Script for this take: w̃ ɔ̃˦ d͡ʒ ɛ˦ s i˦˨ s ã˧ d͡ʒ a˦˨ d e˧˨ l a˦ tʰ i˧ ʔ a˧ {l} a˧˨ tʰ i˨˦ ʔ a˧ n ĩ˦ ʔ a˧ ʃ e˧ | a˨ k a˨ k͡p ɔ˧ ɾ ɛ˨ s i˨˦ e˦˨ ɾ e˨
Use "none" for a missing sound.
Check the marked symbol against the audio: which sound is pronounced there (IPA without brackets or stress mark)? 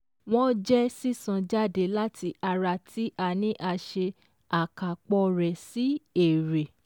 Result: ɾ